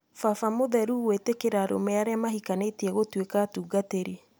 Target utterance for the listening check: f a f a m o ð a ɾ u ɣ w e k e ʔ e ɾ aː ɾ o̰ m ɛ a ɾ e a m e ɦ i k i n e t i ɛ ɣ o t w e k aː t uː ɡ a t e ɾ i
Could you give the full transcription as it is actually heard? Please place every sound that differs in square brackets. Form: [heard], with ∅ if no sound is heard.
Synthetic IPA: f a f a m o ð [ɛ] ɾ u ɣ w e [t] e [k] e ɾ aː ɾ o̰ m ɛ a ɾ e a m [a] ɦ i k [a] n e t i ɛ ɣ o t w e k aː t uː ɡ a t e ɾ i

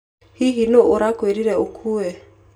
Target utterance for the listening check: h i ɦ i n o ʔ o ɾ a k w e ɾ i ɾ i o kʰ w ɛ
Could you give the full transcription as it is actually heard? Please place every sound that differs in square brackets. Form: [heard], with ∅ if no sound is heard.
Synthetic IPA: h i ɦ i n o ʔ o ɾ a k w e ɾ i ɾ [ɛ] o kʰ [u] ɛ

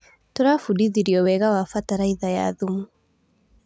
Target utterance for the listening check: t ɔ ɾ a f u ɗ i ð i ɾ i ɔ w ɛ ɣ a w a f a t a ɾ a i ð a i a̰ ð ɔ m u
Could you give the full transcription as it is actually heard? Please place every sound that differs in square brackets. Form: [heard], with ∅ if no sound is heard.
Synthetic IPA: t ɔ ɾ a f u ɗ i ð i ɾ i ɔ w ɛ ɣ a w a f a t a ɾ a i ð a [j] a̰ ð [u] m u

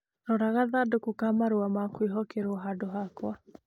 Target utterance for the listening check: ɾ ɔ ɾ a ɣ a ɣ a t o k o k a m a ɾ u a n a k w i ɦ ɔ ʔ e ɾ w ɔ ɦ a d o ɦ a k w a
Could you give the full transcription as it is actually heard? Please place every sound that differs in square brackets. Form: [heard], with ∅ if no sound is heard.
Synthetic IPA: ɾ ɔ ɾ a ɣ a [ð] a [d] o k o k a m a ɾ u a [m] a k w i ɦ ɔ [k] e ɾ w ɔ ɦ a d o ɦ a k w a

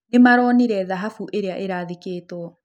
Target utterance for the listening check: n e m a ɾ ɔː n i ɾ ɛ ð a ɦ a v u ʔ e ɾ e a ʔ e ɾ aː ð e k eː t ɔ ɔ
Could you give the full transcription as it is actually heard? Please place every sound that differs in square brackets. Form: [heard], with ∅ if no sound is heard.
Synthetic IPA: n e m a ɾ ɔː n i ɾ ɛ ð a ɦ a [f] u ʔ e ɾ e a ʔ e ɾ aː ð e k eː t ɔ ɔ

